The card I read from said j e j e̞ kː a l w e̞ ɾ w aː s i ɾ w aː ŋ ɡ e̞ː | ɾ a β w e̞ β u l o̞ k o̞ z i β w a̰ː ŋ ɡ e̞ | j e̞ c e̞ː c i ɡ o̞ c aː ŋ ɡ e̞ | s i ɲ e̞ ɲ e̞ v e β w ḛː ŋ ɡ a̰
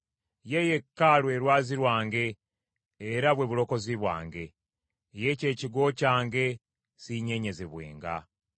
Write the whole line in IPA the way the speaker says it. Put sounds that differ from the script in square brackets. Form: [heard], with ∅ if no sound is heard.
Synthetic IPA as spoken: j e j e̞ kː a l w e̞ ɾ w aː [z] i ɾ w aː ŋ ɡ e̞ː | ɾ a β w e̞ β u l o̞ k o̞ z i β w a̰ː ŋ ɡ e̞ | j e̞ c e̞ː c i ɡ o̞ c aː ŋ ɡ e̞ | s i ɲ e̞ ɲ e̞ [z] e β w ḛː ŋ ɡ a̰

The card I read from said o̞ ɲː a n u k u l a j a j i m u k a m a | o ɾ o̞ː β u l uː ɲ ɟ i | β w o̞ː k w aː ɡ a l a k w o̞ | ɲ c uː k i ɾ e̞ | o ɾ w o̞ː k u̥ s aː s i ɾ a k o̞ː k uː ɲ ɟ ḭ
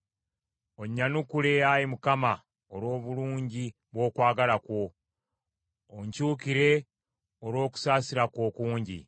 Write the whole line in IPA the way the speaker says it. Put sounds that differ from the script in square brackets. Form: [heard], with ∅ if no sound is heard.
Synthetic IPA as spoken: o̞ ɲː a n u k u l [e] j a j i m u k a m a | o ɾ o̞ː β u l uː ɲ ɟ i | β w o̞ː k w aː ɡ a l a k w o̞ | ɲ c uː k i ɾ e̞ | o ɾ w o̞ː k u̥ s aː s i ɾ a k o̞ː k uː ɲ ɟ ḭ

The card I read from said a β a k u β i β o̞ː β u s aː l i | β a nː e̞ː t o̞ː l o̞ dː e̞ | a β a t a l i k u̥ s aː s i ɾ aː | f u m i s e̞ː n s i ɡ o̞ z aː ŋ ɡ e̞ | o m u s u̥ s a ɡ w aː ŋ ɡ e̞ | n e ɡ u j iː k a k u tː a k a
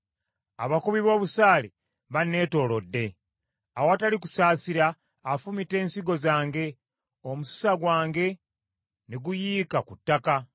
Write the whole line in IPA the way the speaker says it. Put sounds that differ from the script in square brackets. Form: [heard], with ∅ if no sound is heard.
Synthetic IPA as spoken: a β a k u β i β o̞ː β u s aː l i | β a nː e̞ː t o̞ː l o̞ dː e̞ | a [w] a t a l i k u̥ s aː s i ɾ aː | f u m i [t] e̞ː n s i ɡ o̞ z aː ŋ ɡ e̞ | o m u s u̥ s a ɡ w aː ŋ ɡ e̞ | n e ɡ u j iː k a k u tː a k a

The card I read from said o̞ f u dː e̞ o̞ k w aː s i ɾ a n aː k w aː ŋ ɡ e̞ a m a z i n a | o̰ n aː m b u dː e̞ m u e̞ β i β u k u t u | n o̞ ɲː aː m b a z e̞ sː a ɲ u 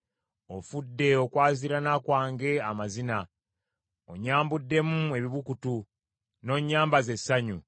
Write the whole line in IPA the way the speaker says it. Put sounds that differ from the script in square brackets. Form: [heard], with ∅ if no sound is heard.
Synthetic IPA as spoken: o̞ f u dː e̞ o̞ k w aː [z] i ɾ a n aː k w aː ŋ ɡ e̞ a m a z i n a | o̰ [ɲ] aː m b u dː e̞ m u e̞ β i β u k u t u | n o̞ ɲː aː m b a z e̞ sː a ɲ u

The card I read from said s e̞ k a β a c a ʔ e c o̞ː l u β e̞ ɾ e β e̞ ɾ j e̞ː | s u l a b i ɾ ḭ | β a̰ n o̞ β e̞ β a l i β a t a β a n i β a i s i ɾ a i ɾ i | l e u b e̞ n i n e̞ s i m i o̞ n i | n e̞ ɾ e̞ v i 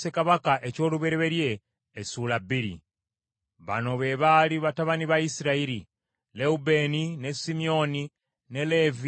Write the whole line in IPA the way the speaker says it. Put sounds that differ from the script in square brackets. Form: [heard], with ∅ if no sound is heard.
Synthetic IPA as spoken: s e̞ k a β a [k] a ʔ e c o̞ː l u β e̞ ɾ e β e̞ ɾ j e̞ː | s u l a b i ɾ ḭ | β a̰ n o̞ β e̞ β a l i β a t a β a n i β a i s i ɾ a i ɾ i | l e u b e̞ n i n e̞ s i m i o̞ n i | n e̞ [l] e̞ v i

